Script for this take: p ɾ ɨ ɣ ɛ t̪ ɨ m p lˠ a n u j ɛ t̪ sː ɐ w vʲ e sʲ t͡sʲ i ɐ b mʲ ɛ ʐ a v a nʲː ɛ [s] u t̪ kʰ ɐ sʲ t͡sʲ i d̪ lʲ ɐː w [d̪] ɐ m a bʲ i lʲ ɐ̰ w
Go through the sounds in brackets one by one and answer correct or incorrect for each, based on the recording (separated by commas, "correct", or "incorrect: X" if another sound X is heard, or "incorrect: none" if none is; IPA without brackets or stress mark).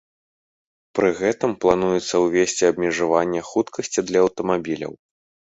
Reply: incorrect: x, incorrect: t̪